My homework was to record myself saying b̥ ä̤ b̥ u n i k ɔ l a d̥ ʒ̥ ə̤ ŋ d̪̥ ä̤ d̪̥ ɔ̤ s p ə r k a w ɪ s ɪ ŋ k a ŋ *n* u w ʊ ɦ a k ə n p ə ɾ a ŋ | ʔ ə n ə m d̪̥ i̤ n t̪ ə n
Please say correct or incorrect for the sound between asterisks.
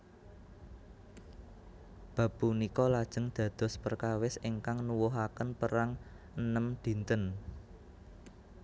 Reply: correct